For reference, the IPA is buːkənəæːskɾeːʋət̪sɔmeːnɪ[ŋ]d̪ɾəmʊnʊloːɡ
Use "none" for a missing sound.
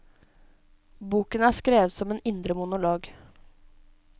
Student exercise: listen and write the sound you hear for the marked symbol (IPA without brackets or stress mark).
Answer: n